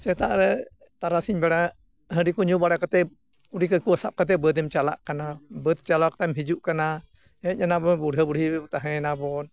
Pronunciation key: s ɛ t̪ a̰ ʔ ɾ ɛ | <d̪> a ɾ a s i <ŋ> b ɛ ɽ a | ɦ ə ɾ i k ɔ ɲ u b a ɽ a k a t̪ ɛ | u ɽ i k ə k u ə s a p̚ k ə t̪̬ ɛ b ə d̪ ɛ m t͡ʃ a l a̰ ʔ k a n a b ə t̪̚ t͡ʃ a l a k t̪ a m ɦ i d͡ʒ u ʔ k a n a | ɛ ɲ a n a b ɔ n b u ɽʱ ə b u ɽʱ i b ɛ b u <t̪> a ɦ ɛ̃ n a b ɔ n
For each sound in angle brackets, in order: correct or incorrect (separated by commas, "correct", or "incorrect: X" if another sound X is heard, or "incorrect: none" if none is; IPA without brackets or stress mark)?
incorrect: t̪, incorrect: ɲ, correct